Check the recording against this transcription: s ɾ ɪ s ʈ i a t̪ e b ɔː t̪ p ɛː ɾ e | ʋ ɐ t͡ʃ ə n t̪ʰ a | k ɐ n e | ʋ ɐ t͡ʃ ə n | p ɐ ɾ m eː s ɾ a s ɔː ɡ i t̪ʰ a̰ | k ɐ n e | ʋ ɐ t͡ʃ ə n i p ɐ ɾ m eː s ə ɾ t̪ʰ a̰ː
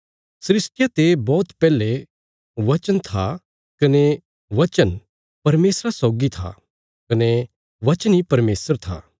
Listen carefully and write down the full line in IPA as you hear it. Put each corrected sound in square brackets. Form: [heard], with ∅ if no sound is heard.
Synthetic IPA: s ɾ ɪ s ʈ [j] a t̪ e b ɔː t̪ p ɛː [l] e | ʋ ɐ t͡ʃ ə n t̪ʰ a | k ɐ n e | ʋ ɐ t͡ʃ ə n | p ɐ ɾ m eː s ɾ a s ɔː ɡ i t̪ʰ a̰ | k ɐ n e | ʋ ɐ t͡ʃ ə n i p ɐ ɾ m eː s ə ɾ t̪ʰ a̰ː

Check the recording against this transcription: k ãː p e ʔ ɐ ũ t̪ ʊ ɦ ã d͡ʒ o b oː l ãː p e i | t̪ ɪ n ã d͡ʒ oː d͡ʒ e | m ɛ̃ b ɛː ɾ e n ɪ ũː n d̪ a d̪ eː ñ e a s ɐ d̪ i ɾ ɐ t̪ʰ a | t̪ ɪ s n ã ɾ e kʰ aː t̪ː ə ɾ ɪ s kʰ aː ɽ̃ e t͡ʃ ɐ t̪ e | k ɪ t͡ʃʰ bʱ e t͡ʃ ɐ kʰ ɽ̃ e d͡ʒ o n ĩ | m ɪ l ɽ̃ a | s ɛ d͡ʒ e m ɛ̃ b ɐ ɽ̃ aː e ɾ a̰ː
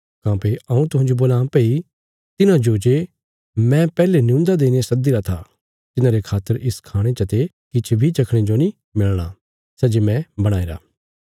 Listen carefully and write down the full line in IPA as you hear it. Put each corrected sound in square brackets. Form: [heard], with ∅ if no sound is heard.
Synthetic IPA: k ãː p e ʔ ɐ ũ t̪ ʊ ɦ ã d͡ʒ o b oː l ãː p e i | t̪ ɪ n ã d͡ʒ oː d͡ʒ e | m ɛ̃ [p] ɛː [l] e n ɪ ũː n d̪ a d̪ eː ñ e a s ɐ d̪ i ɾ [a] t̪ʰ a | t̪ ɪ [∅] n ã ɾ e kʰ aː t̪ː ə ɾ ɪ s kʰ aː ɽ̃ e t͡ʃ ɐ t̪ e | k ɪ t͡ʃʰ bʱ [i] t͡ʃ ɐ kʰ ɽ̃ e d͡ʒ o n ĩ | m ɪ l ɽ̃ a | s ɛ d͡ʒ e m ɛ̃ b ɐ ɽ̃ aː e ɾ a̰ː

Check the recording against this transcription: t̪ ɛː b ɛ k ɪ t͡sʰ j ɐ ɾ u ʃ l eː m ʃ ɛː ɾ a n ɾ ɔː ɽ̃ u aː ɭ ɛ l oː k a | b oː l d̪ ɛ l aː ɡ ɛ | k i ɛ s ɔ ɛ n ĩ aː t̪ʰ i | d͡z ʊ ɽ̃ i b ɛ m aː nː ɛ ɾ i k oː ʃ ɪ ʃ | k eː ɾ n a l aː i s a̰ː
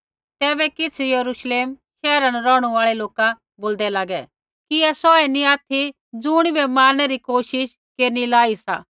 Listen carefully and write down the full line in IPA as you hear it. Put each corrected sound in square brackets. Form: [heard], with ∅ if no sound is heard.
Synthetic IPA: t̪ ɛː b ɛ k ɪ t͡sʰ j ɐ ɾ u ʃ l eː m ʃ ɛː ɾ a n ɾ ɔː ɽ̃ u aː ɭ ɛ l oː k a | b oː l d̪ ɛ l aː ɡ ɛ | k i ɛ s ɔ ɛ n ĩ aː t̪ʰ i | d͡z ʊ ɽ̃ i b ɛ m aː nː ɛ ɾ i k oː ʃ ɪ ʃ | k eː ɾ n [i] l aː i s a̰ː

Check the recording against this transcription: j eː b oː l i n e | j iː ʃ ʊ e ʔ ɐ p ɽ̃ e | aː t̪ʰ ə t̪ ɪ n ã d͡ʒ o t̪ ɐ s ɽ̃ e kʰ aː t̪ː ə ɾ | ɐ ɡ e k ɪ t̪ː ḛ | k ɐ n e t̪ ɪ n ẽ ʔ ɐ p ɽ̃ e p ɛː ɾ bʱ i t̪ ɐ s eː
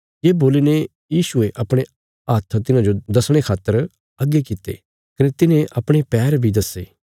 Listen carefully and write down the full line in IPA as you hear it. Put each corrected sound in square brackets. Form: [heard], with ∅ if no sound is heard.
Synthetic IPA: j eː b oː l i n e | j iː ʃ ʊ e ʔ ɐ p ɽ̃ e | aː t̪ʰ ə t̪ ɪ n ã d͡ʒ o [d̪] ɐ s ɽ̃ e kʰ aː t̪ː ə ɾ | ɐ ɡ e k ɪ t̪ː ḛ | k ɐ n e t̪ ɪ n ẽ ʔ ɐ p ɽ̃ e p ɛː ɾ bʱ i [d̪] ɐ s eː

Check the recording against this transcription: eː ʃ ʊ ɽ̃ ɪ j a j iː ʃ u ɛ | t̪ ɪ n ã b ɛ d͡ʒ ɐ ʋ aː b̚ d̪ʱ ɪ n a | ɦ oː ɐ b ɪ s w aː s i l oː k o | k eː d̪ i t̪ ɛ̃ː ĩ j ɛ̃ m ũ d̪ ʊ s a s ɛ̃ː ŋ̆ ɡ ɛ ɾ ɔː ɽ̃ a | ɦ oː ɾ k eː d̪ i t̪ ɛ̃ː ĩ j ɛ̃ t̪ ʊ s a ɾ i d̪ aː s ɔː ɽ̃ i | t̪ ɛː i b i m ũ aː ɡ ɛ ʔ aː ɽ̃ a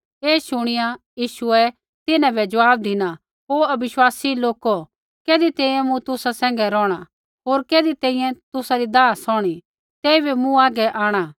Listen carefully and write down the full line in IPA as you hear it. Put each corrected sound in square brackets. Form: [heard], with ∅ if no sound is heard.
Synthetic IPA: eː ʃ ʊ ɽ̃ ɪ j a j iː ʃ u ɛ | t̪ ɪ n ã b ɛ d͡ʒ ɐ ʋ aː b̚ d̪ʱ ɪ n a | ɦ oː ɐ b ɪ [ʃ] w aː s i l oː k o | k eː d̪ i t̪ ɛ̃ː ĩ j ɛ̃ m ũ [t̪] ʊ s a s ɛ̃ː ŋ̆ ɡ ɛ ɾ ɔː ɽ̃ a | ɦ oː ɾ k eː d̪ i t̪ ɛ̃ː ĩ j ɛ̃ t̪ ʊ s a ɾ i d̪ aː s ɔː ɽ̃ i | t̪ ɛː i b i m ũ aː ɡ ɛ ʔ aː ɽ̃ a

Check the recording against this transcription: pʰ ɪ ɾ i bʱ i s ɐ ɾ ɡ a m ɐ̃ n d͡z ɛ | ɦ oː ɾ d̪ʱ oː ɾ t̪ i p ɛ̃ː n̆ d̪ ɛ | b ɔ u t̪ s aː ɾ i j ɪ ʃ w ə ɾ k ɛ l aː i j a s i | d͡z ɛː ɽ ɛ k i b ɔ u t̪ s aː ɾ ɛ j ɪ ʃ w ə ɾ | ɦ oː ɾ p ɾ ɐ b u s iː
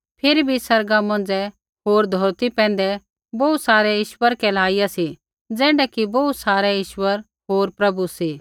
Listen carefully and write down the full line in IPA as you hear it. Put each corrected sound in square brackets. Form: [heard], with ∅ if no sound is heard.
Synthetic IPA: pʰ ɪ ɾ i bʱ i s ɐ ɾ ɡ a m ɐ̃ n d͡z ɛ | ɦ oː ɾ d̪ʱ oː ɾ t̪ i p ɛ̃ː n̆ d̪ ɛ | b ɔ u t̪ s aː ɾ [ɛ] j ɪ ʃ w ə ɾ k ɛ l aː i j a s i | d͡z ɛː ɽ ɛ k i b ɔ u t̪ s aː ɾ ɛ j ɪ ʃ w ə ɾ | ɦ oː ɾ p ɾ ɐ b u s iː

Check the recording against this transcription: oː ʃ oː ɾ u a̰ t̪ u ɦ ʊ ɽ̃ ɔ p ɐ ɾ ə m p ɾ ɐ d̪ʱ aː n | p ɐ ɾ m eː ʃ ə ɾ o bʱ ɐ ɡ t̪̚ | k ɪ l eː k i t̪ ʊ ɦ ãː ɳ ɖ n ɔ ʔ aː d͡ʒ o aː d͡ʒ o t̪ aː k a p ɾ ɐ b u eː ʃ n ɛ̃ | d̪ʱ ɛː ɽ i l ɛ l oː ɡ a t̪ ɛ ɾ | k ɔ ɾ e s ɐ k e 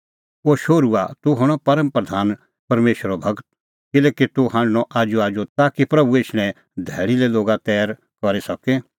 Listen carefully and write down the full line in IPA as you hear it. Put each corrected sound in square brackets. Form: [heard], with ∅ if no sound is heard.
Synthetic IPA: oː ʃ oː ɾ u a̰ t̪ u ɦ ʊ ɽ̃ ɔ p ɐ ɾ ə m p ɾ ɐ d̪ʱ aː n | p ɐ ɾ m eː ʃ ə ɾ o bʱ ɐ ɡ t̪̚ | k ɪ l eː k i t̪ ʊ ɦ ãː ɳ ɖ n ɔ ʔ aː d͡ʒ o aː d͡ʒ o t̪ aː k [i] p ɾ ɐ b u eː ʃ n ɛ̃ | d̪ʱ ɛː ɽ i l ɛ l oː ɡ a t̪ [ɛː] ɾ | k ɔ ɾ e s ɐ k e

